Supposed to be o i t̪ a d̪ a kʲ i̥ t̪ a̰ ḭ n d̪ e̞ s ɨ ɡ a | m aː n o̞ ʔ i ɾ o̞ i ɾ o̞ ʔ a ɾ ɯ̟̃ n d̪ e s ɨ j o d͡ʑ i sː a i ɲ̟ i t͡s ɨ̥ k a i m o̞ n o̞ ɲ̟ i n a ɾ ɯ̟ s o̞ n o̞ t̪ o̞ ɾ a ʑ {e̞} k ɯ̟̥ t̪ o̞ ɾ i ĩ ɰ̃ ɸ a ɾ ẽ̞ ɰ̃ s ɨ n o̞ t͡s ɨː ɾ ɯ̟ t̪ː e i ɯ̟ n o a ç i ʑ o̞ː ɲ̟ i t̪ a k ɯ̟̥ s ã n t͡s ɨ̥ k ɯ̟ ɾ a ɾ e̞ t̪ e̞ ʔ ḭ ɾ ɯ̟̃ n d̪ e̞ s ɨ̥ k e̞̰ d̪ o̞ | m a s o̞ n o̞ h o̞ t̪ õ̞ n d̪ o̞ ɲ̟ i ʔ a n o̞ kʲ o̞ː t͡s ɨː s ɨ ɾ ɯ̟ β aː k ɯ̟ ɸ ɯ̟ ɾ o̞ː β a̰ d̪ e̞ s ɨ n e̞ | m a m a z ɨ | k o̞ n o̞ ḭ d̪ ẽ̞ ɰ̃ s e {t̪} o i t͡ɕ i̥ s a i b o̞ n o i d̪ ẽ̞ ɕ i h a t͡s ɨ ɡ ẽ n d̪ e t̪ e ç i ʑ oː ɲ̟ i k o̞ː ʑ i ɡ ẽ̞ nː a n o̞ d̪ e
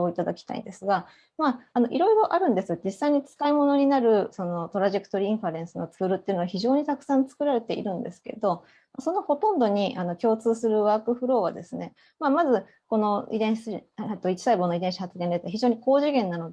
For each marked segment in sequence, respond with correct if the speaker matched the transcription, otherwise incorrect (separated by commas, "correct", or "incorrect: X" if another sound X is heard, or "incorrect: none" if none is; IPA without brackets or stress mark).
correct, correct